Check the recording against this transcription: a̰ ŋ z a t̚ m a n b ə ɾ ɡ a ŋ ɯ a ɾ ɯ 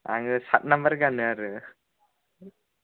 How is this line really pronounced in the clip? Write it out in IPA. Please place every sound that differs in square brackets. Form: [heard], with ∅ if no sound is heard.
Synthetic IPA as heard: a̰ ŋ [s] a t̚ [n] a [m] b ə ɾ ɡ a [n] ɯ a ɾ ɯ